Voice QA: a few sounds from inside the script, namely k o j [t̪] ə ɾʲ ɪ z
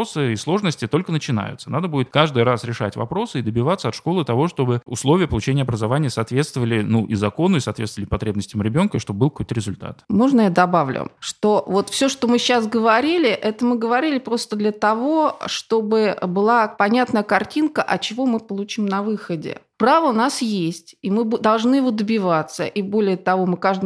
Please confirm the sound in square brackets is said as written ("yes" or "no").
yes